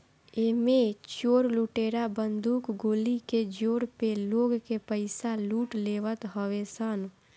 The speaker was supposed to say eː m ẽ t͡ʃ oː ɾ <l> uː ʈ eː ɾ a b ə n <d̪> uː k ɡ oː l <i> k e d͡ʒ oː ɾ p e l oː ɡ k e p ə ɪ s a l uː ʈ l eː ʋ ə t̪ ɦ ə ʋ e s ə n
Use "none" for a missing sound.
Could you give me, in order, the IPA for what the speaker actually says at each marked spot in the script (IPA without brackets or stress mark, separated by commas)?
l, d̪, i